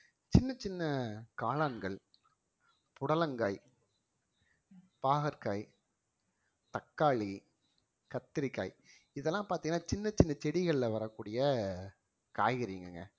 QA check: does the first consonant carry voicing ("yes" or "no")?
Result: no